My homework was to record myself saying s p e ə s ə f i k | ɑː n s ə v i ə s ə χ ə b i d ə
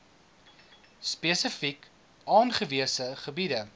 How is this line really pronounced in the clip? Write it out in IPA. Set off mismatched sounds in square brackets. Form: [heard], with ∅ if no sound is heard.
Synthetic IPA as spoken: s p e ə s ə f i k | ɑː n [χ] ə v i ə s ə χ ə b i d ə